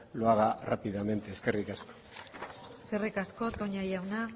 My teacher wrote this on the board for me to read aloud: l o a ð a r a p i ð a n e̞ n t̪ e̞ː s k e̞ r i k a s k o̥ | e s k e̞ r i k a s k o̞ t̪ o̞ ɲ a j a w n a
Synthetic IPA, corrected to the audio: l o a ɣ a r a p i ð a m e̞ n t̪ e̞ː s k e̞ r i k a s k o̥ | e s k e̞ r i k a s k o̞ t̪ o̞ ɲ a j a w n a